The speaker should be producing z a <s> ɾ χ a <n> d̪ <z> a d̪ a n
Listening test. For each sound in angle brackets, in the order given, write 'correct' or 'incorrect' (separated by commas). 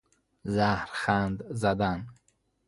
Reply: incorrect, correct, correct